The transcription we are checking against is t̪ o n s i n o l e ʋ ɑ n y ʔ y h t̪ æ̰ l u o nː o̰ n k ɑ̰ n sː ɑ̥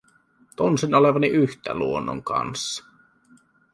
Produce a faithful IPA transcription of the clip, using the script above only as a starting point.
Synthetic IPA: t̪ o n s i n o l e ʋ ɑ n i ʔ y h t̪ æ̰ l u o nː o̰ ŋ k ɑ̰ n sː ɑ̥